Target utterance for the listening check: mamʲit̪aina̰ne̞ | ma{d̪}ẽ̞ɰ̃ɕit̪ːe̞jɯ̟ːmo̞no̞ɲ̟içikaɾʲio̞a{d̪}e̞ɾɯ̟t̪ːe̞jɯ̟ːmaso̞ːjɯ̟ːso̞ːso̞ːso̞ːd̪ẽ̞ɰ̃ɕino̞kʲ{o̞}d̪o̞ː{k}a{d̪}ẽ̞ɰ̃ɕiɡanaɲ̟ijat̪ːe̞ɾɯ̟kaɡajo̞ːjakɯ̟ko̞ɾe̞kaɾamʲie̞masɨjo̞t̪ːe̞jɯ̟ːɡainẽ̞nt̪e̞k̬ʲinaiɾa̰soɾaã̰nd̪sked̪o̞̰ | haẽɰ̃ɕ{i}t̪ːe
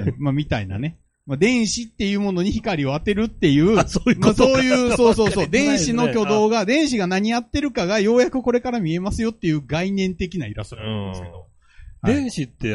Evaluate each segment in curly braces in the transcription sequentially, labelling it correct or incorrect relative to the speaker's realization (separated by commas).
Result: correct, incorrect, correct, incorrect, correct, correct